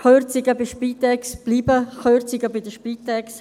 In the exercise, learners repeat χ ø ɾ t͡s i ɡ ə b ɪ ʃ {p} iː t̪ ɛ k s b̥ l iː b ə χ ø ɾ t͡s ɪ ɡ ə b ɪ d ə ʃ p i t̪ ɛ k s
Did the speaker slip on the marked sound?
no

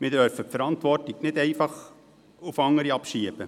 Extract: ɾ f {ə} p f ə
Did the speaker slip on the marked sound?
no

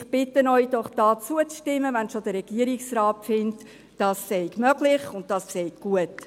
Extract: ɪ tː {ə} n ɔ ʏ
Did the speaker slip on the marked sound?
no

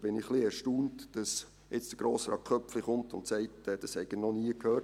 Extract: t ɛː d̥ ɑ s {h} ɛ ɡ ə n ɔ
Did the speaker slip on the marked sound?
no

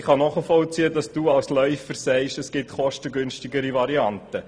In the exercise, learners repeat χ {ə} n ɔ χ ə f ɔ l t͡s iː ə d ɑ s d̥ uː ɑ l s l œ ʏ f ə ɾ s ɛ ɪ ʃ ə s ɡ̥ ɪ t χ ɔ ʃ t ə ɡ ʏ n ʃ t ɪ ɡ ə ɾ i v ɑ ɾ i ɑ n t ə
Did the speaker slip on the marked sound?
yes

